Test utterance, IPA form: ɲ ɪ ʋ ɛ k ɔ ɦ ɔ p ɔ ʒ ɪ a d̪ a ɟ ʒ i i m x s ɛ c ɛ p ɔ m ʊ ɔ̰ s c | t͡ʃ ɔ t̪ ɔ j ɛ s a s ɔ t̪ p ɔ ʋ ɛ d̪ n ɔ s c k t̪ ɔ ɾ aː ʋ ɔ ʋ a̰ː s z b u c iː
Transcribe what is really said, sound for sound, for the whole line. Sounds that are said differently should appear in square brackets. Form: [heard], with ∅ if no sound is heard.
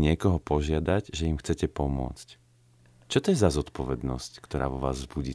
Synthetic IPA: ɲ ɪ [∅] ɛ k ɔ ɦ ɔ p ɔ ʒ ɪ a d̪ a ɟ ʒ [ɛ] i m x [t͡s] ɛ c ɛ p ɔ m ʊ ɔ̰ [t͡s] c | t͡ʃ ɔ t̪ ɔ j ɛ [z] a [z] ɔ t̪ p ɔ ʋ ɛ d̪ n ɔ s c k t̪ ɔ ɾ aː ʋ ɔ ʋ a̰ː [z] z b u [ɟ] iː